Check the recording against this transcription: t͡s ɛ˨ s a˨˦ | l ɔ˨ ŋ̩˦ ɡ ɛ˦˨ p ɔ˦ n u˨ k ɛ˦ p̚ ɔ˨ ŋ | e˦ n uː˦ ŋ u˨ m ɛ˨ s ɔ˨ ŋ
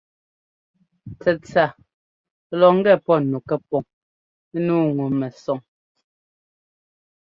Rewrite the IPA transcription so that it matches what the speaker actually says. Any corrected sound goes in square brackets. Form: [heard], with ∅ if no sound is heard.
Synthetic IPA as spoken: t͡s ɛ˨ [t͡s] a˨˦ | l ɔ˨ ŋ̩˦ ɡ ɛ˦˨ p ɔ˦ n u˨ k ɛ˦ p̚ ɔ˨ ŋ | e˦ n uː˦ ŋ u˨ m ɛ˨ s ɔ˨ ŋ